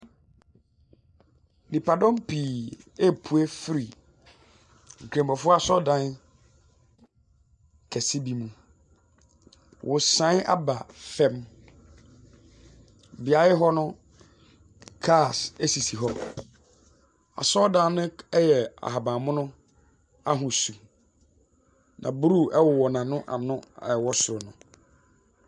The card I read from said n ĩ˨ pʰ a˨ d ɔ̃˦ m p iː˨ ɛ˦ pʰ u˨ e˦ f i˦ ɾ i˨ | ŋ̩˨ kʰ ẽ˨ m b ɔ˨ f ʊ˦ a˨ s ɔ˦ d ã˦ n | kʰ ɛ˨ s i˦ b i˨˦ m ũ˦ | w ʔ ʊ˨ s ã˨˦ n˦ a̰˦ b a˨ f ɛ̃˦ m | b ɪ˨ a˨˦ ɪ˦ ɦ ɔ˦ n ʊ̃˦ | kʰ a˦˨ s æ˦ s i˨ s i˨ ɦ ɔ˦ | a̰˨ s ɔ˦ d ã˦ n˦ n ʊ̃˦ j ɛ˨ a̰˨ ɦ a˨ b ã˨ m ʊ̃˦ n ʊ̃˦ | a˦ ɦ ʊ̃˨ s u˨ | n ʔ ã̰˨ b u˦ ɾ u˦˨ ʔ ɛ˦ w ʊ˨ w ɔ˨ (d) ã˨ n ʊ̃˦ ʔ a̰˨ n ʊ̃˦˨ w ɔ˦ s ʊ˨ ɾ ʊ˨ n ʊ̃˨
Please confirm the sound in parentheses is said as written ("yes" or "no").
no